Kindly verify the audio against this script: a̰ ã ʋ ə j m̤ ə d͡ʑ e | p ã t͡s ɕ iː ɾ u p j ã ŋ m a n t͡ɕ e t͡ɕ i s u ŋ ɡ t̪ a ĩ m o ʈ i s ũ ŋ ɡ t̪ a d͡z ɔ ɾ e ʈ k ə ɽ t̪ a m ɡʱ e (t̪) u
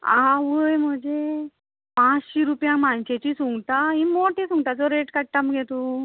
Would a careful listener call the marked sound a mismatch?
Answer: no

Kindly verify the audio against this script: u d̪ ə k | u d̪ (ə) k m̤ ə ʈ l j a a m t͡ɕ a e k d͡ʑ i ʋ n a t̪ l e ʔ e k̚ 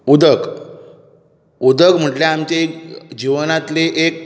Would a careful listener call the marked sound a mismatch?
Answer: no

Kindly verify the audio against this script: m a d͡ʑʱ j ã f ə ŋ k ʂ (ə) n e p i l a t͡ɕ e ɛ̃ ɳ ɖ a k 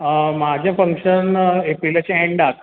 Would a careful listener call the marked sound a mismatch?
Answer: no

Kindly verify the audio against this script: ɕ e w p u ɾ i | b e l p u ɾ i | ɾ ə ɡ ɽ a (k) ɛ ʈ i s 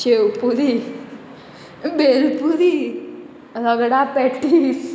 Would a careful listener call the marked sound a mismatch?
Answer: yes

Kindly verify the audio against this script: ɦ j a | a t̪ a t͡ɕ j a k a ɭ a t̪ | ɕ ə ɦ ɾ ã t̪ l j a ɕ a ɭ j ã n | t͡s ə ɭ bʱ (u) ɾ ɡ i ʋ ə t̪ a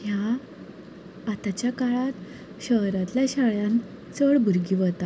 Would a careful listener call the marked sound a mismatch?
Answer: no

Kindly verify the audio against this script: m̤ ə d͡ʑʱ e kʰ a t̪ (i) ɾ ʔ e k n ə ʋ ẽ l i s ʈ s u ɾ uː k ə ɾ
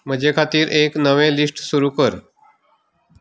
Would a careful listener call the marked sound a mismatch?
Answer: yes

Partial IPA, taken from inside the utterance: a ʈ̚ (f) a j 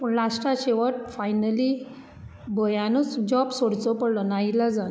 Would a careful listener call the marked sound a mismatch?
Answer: no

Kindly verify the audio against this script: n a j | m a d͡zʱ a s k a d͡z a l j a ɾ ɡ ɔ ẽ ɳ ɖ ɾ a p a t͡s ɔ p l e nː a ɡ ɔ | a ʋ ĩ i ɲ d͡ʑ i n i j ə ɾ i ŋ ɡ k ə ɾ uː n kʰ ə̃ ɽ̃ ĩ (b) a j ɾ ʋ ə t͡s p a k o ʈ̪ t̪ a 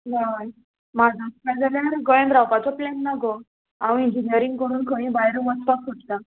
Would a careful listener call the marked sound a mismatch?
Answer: no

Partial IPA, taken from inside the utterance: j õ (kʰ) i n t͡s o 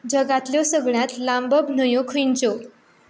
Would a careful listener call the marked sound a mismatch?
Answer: no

